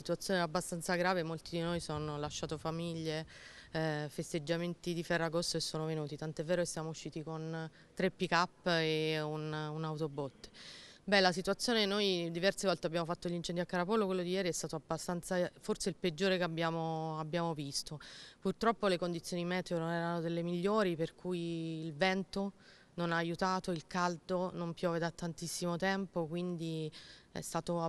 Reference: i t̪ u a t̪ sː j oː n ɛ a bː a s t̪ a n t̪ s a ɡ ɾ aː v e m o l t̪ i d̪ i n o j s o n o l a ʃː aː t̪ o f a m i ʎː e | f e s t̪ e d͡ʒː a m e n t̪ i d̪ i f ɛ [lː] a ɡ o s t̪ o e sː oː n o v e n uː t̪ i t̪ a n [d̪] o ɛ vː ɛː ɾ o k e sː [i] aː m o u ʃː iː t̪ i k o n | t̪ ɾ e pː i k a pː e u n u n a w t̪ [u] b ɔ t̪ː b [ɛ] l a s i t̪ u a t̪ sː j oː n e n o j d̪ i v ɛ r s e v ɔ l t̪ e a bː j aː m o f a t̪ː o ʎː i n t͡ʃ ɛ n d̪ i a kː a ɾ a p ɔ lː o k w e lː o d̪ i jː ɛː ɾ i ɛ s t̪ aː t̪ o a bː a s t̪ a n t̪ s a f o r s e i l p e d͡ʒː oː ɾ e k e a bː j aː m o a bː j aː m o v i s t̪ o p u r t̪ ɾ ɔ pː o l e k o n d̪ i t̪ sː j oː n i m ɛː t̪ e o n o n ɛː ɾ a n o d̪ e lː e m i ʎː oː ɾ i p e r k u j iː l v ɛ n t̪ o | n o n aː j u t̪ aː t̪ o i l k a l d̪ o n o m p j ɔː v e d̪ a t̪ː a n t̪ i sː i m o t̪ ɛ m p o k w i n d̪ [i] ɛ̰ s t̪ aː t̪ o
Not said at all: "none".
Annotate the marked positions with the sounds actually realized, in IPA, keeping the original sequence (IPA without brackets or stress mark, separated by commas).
rː, t̪, j, o, ɛ, i